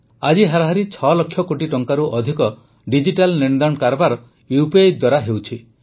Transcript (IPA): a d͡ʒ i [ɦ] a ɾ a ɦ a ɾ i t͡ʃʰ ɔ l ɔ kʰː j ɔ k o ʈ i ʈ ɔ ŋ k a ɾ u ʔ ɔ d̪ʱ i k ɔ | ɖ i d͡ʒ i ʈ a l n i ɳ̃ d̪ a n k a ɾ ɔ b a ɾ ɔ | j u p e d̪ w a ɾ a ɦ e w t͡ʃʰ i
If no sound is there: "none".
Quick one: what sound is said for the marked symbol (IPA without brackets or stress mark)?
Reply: ɦ